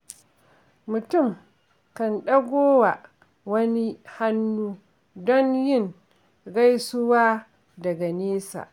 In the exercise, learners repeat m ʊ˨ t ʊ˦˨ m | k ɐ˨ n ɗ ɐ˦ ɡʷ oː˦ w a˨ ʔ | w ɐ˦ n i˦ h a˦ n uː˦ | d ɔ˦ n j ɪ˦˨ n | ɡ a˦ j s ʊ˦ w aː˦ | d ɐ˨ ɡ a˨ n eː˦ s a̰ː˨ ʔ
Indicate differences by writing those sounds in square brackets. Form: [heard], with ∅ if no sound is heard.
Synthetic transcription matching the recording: m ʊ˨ t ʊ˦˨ m | k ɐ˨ n ɗ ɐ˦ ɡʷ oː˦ w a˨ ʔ | w ɐ˦ n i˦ h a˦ [nː] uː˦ | d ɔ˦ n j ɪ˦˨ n | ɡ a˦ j s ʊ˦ w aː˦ | d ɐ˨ ɡ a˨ n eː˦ s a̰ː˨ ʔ